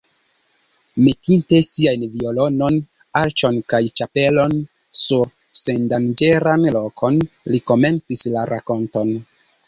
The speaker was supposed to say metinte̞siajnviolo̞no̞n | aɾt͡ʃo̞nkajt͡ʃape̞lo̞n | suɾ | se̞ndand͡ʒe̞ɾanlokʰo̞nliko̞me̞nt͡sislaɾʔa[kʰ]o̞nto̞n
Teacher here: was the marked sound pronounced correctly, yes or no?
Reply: no